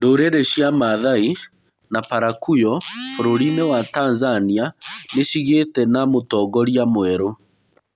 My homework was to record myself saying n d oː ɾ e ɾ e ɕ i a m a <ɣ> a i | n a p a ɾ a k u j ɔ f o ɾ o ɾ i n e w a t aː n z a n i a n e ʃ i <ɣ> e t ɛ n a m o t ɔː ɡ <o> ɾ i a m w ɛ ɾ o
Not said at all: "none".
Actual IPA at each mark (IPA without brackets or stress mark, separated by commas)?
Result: ð, ɣ, ɔ